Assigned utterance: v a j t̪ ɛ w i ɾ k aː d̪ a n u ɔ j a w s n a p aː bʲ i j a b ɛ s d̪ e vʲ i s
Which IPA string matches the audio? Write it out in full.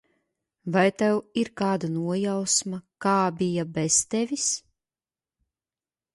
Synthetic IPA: v a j t̪ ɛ w i ɾ k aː d̪ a n u ɔ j a w s m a k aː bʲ i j a b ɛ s t̪ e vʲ i s